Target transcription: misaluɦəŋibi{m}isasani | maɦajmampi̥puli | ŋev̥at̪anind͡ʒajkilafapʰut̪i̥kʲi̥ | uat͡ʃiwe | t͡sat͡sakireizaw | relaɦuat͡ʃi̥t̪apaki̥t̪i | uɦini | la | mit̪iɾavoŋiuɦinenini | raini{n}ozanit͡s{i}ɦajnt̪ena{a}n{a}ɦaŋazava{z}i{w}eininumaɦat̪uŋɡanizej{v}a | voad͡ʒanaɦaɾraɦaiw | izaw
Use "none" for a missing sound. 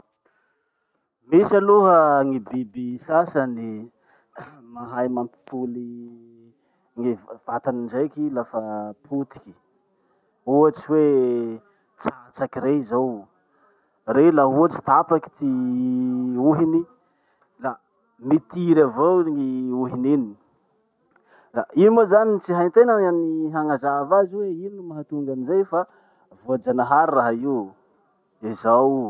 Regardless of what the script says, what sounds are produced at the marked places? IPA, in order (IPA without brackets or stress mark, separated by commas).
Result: b, m, i, a, i, z, w, f